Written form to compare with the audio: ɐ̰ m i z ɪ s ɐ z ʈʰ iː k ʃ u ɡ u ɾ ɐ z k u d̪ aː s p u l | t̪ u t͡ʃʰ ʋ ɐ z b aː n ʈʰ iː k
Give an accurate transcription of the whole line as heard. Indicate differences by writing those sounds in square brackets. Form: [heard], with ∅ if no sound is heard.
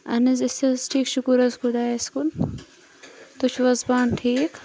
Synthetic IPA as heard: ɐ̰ [n] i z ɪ s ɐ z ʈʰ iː k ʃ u [k] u ɾ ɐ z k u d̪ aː s [k] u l | t̪ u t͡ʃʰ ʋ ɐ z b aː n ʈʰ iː k